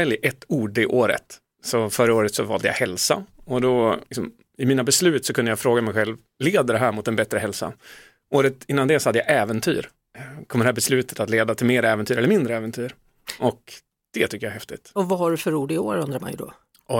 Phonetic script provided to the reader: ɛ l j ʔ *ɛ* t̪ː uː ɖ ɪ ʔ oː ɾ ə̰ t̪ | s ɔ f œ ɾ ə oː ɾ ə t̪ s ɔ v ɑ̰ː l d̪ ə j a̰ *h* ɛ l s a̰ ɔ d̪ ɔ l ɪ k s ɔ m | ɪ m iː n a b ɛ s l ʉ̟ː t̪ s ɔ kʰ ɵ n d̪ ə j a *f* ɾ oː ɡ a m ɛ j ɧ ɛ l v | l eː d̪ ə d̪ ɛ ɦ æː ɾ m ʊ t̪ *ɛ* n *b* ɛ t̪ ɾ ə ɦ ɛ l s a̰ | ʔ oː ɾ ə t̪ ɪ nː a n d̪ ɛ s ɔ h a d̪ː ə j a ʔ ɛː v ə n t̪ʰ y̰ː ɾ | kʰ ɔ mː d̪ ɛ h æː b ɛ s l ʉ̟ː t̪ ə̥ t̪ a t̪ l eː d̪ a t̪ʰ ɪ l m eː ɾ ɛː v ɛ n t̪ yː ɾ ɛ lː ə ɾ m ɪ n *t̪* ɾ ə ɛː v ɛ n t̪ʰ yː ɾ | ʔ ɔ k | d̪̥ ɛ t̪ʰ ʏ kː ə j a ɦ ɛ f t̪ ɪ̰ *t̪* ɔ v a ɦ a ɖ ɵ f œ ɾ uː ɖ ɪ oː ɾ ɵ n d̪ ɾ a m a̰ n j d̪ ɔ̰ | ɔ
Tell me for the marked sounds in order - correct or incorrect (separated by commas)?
correct, correct, correct, correct, correct, incorrect, correct